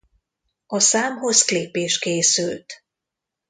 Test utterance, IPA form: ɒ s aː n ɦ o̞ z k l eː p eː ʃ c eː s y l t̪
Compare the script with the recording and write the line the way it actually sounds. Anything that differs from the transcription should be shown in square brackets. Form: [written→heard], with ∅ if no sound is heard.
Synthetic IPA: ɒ s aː [n→m] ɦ o̞ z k l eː p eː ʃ [c→k] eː s y l t̪